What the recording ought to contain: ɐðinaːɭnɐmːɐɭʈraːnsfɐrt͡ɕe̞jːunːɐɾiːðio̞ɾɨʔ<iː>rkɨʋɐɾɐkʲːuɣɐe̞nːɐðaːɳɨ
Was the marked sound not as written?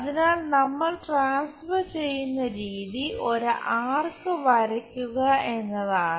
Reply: yes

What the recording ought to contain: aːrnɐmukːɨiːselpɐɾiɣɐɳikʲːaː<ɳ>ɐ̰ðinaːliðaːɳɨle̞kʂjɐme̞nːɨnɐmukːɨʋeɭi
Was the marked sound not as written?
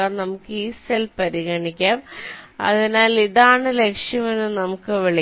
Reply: yes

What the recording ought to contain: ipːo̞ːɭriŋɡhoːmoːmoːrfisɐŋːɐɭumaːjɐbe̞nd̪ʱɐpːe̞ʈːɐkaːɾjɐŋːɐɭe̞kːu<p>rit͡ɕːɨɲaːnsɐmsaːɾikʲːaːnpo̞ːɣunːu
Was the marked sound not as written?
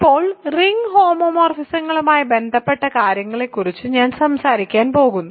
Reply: yes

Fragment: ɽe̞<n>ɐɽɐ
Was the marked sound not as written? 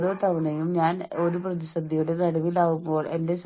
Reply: no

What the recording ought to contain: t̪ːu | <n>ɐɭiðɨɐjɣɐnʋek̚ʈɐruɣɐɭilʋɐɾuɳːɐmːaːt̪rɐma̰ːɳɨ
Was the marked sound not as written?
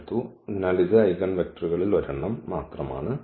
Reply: no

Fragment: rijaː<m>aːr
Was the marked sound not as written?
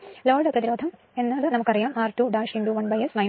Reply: no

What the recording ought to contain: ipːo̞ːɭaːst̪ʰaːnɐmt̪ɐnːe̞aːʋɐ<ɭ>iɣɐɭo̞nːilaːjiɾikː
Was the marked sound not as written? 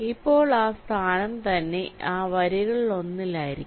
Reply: yes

